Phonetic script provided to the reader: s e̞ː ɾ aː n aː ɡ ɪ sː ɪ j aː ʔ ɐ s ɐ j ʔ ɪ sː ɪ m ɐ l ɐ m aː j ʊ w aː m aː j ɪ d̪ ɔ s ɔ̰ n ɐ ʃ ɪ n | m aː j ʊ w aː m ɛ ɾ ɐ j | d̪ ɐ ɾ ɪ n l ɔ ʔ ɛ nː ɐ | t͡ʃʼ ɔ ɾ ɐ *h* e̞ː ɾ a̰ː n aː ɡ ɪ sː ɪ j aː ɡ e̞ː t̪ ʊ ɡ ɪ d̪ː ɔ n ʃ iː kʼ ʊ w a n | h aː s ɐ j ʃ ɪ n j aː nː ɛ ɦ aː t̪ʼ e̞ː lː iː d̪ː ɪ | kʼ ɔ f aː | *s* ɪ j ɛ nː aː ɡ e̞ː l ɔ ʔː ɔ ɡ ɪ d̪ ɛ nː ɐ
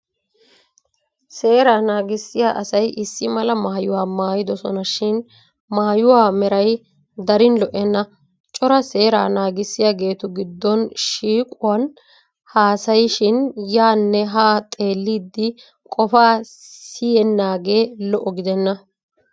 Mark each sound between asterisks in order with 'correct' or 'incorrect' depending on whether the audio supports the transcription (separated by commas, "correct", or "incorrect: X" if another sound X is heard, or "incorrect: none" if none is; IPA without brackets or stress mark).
incorrect: s, correct